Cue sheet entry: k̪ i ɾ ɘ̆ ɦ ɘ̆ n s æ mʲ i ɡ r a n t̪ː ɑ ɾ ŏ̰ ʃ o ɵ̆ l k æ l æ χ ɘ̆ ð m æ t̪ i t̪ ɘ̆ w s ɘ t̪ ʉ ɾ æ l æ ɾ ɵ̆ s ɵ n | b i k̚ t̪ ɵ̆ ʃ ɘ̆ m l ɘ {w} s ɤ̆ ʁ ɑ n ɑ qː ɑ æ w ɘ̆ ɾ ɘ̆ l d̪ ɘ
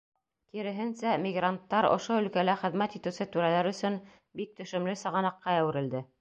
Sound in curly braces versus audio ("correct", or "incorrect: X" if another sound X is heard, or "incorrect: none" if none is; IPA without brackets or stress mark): incorrect: none